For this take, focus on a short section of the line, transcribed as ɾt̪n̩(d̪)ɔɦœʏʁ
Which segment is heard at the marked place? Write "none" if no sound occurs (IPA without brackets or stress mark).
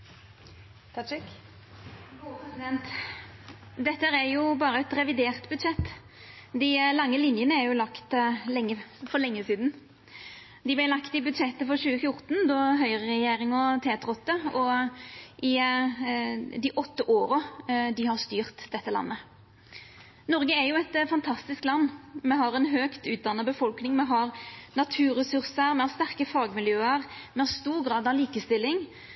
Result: d̪